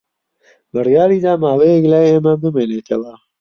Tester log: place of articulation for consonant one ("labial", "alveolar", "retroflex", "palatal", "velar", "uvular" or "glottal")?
labial